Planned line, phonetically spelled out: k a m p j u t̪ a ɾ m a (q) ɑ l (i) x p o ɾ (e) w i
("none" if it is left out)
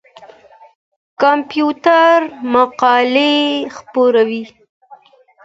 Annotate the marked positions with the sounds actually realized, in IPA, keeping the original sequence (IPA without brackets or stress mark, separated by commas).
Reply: q, e, a